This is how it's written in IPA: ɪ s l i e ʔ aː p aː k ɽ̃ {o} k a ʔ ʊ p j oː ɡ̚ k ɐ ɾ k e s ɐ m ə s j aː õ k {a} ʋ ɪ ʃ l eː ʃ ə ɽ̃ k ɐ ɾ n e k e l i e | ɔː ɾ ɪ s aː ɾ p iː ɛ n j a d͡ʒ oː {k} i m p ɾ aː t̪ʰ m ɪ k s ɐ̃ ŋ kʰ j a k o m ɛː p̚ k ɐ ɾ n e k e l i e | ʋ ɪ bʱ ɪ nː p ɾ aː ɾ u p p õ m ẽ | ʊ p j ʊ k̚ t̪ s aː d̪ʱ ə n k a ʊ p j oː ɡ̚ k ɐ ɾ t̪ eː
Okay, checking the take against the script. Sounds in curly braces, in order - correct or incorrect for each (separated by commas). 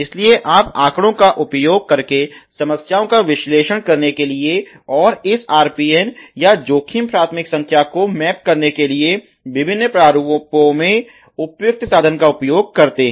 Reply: incorrect, correct, incorrect